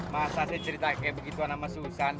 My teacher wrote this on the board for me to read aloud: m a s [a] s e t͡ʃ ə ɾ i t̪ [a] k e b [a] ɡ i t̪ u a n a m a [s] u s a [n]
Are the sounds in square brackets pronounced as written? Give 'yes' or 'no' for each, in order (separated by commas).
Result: yes, yes, no, yes, yes